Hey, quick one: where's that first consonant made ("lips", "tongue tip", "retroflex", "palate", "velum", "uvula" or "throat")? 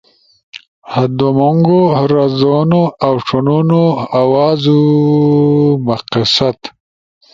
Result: throat